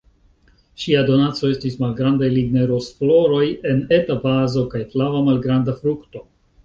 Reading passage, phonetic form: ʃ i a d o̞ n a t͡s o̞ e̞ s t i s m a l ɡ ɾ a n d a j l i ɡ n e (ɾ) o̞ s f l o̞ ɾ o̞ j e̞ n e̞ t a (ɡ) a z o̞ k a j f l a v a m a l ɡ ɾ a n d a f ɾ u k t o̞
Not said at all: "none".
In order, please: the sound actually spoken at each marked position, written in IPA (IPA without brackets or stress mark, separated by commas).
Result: ɾ, b